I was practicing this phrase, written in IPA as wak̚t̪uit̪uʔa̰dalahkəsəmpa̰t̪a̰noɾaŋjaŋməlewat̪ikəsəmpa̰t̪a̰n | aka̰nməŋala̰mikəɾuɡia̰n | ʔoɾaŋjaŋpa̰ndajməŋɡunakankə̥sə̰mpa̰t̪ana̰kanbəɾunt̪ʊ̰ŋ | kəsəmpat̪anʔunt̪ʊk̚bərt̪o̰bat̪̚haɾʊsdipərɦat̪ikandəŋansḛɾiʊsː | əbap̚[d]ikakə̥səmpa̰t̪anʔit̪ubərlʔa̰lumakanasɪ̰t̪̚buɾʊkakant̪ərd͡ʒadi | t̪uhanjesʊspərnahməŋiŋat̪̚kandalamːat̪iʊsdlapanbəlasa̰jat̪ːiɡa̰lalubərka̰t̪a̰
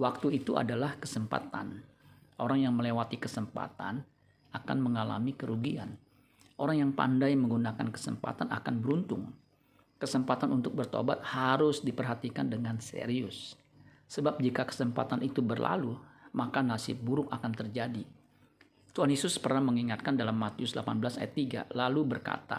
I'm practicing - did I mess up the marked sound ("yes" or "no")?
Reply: yes